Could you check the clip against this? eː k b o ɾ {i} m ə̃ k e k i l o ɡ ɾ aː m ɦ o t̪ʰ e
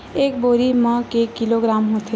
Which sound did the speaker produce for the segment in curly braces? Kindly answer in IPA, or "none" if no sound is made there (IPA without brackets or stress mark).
i